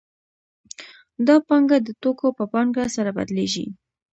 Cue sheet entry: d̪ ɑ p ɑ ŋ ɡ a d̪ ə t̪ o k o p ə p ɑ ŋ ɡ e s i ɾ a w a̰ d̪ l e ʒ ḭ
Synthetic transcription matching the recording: d̪ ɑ p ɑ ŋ ɡ a d̪ ə t̪ o k o p ə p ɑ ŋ ɡ a s a ɾ a b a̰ d̪ l e ʒ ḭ